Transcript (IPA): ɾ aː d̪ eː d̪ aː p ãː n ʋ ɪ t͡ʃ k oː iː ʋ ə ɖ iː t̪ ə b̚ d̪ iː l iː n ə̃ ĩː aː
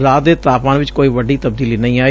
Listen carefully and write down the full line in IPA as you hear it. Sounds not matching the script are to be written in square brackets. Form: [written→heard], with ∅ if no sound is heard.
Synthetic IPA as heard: ɾ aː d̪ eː [d̪→t̪] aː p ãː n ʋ ɪ t͡ʃ k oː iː ʋ ə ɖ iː t̪ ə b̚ d̪ iː l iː n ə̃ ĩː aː